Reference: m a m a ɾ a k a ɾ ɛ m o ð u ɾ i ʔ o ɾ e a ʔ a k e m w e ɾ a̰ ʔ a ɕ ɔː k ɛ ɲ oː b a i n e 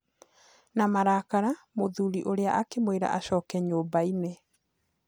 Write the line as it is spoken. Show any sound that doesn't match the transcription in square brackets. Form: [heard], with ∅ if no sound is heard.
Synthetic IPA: [n] a m a ɾ a k a ɾ [a] m o ð u ɾ i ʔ o ɾ e a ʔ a k e m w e ɾ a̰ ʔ a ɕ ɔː k ɛ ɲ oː b a i n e

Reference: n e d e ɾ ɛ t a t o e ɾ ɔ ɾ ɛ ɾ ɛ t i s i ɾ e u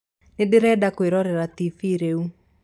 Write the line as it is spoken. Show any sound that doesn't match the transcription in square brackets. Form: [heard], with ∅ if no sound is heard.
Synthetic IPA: n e d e ɾ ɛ [d] a [k] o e ɾ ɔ ɾ ɛ ɾ [a] t i [f] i ɾ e u

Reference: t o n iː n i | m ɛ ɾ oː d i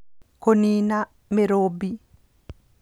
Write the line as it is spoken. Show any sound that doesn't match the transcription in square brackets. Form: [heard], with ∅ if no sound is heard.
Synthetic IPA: [k] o n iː n [a] | m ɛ ɾ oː [b] i

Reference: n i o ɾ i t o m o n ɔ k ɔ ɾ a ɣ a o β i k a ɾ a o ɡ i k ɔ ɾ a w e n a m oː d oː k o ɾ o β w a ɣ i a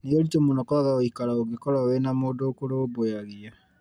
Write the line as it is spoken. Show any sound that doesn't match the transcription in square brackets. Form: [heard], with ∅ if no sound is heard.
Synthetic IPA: n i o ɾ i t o m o n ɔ k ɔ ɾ a ɣ a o [∅] i k a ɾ a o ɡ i k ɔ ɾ a w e n a m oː d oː k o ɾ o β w a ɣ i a

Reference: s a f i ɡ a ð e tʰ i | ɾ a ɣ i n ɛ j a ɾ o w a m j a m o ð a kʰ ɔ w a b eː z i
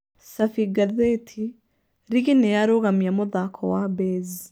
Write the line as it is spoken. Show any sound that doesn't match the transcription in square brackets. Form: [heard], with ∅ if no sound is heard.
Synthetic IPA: s a f i ɡ a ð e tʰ i | ɾ [i] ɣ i n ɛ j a ɾ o [ɣ] a m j a m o ð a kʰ ɔ w a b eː z i

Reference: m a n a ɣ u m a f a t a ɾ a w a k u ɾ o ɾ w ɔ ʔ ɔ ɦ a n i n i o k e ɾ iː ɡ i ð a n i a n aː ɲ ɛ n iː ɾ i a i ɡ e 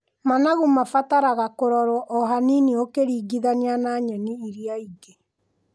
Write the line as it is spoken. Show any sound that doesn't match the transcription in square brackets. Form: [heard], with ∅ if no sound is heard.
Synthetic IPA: m a n a ɣ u m a f a t a ɾ a [ɣ] a k [o] ɾ [ɔ] ɾ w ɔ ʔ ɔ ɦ a n i n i o k e ɾ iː ɡ i ð a n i a n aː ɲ ɛ n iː ɾ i a i ɡ e

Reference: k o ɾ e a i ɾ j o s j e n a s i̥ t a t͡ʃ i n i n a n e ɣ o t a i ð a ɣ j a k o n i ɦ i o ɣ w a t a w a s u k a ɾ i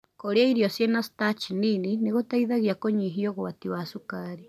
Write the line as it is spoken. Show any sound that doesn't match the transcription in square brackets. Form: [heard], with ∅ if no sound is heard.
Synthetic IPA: k o ɾ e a i ɾ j o s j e n a s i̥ t a t͡ʃ i n i n [i] n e ɣ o t a i ð a ɣ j a k o [ɲ] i ɦ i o ɣ w a t [i] w a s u k a ɾ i

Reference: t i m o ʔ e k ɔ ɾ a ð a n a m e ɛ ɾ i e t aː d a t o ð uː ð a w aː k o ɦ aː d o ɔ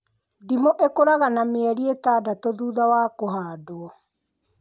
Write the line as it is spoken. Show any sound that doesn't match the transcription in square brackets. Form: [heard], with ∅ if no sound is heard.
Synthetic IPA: [d] i m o ʔ e k [o] ɾ a [ɣ] a n a m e ɛ ɾ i e t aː d a t o ð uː ð a w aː k o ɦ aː d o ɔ

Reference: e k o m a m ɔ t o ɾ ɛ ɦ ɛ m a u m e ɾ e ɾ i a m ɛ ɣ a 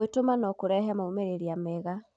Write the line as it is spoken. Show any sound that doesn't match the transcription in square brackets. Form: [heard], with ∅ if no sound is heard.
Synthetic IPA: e [t] o m a [n] ɔ [k] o ɾ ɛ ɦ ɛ m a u m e ɾ e ɾ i a m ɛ ɣ a

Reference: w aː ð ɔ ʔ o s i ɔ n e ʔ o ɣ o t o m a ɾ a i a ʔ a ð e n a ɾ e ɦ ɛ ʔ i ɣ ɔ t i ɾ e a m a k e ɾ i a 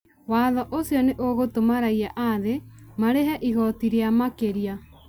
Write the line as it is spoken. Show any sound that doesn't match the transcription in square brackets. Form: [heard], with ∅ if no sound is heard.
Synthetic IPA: w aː ð ɔ ʔ o s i ɔ n e ʔ o ɣ o t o m a ɾ a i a ʔ a ð e [m] a ɾ e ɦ ɛ ʔ i ɣ ɔ t i ɾ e a m a k e ɾ i a

